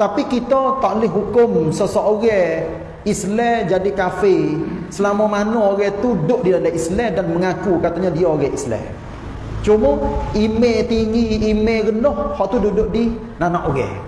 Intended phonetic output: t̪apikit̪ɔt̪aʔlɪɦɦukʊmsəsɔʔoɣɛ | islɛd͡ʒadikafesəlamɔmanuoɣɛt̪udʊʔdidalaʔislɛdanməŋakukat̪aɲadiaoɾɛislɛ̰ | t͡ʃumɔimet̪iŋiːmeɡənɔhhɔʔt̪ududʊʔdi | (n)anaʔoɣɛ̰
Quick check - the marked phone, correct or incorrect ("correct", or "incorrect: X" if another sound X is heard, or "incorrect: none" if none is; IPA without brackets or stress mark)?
correct